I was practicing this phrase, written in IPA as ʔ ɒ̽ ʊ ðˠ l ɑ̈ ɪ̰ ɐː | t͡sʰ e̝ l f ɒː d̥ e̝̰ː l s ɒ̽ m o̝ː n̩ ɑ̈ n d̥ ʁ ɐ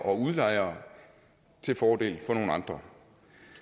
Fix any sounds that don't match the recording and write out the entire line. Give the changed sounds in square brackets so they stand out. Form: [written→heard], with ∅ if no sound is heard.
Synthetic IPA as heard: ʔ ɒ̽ [ʊ→u] ðˠ l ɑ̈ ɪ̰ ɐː | t͡sʰ e̝ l f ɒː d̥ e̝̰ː l [s→f] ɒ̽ [m→n] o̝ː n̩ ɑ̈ n d̥ ʁ ɐ

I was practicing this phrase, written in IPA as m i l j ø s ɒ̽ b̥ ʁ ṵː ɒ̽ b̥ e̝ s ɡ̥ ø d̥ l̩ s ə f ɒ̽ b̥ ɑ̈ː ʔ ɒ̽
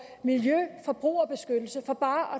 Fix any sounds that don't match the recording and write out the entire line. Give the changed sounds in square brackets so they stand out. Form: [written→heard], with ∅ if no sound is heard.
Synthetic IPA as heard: m i l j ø [s→f] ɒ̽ b̥ ʁ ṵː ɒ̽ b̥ e̝ s ɡ̥ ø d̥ l̩ s ə f ɒ̽ b̥ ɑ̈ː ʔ ɒ̽

